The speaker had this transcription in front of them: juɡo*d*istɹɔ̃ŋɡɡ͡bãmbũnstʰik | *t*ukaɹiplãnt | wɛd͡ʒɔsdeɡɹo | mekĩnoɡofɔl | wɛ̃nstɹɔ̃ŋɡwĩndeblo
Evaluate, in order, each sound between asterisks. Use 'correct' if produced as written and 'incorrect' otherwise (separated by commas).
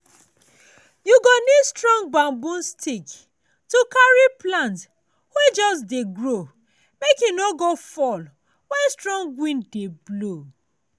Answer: incorrect, correct